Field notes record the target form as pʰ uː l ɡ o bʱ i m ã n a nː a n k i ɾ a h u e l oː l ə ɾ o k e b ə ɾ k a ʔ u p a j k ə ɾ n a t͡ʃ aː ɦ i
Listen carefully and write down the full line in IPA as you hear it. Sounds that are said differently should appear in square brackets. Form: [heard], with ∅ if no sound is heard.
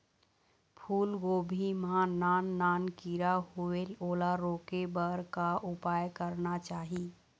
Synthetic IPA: pʰ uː l ɡ o bʱ i m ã n a nː a n k i ɾ a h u e l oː l [a] ɾ o k e b ə ɾ k a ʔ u p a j k ə ɾ n a t͡ʃ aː ɦ i